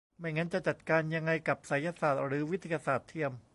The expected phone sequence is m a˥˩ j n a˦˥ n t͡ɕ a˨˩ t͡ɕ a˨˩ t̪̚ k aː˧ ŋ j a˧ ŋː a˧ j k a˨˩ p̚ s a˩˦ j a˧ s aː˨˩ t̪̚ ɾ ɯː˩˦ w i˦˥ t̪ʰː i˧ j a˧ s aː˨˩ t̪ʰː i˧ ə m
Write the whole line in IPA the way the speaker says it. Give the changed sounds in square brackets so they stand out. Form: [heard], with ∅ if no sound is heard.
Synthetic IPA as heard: m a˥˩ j [ŋ] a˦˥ n t͡ɕ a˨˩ t͡ɕ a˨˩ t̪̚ k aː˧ [n] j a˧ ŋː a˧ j k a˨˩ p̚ s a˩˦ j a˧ s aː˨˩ t̪̚ ɾ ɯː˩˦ w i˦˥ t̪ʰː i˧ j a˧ s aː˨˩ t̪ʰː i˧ ə m